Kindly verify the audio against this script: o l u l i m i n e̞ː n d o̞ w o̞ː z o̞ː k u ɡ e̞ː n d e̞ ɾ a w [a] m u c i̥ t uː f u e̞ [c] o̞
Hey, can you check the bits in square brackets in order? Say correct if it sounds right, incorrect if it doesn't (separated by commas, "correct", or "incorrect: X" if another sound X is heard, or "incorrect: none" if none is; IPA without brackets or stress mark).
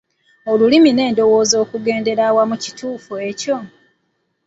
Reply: correct, correct